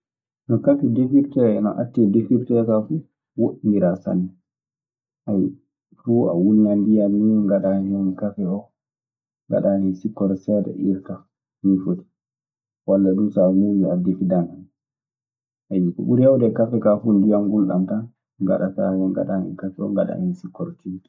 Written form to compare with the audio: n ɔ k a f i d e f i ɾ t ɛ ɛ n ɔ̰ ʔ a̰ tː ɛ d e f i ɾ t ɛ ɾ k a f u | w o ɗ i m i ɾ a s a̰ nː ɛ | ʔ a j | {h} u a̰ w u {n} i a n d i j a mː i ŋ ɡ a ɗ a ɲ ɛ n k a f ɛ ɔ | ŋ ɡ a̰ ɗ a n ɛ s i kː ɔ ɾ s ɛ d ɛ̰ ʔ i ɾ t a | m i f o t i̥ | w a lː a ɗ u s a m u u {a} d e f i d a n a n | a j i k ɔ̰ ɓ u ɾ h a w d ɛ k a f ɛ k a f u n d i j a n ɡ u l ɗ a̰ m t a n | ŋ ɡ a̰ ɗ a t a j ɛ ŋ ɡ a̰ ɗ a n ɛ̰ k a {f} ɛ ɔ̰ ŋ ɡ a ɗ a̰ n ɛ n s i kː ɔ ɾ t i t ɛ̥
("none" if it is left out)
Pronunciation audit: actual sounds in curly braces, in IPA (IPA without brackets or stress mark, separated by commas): f, n, a, f